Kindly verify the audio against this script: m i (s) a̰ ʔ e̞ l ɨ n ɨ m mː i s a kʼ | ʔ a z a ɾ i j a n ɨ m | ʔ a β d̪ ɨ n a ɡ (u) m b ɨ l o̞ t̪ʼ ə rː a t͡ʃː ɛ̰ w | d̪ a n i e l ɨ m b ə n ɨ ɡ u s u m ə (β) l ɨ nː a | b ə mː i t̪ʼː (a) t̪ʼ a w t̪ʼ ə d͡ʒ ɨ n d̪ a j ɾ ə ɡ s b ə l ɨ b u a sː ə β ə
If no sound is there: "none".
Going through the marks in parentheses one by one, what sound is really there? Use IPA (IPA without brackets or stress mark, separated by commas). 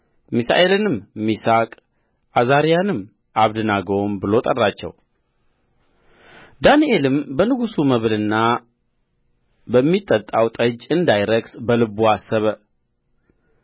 s, o, β, ə